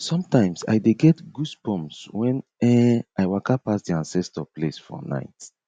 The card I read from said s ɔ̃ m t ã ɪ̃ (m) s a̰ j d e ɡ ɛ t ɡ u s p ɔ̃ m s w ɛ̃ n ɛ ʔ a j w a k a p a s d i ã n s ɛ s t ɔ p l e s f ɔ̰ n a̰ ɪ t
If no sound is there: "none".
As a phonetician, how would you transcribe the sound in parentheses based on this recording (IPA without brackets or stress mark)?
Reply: m